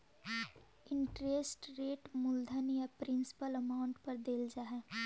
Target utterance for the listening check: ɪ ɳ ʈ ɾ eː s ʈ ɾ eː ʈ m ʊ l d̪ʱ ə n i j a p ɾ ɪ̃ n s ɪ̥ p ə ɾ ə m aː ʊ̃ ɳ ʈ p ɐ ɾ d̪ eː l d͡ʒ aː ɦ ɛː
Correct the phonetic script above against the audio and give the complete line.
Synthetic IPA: ɪ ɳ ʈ ɾ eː s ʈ ɾ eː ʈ m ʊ l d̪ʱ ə n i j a p ɾ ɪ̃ n s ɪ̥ p ə l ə m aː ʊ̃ ɳ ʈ p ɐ ɾ d̪ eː l d͡ʒ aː ɦ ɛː